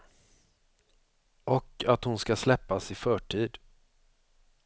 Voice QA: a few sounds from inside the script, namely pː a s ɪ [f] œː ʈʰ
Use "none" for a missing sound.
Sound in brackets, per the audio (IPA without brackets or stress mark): f